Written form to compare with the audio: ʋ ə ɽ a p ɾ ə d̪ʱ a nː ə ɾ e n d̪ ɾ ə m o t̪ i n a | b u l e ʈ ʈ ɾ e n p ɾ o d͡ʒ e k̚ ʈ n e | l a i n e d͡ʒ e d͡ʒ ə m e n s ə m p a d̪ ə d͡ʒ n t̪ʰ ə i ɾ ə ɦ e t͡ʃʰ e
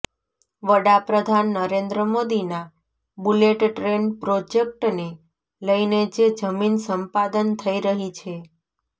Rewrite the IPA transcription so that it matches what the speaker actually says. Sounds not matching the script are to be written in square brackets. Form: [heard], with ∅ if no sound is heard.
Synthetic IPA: ʋ ə ɽ a p ɾ ə d̪ʱ a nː ə ɾ e n d̪ ɾ ə m o [d̪] i n a | b u l e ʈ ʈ ɾ e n p ɾ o d͡ʒ e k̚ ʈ n e | l [ə] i n e d͡ʒ e d͡ʒ ə m [i] n s ə m p a d̪ ə [∅] n t̪ʰ ə i ɾ ə ɦ [i] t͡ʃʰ e